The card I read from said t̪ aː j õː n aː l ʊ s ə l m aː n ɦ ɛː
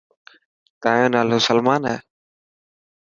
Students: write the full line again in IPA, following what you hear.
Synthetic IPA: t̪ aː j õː n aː l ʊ s ə l m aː n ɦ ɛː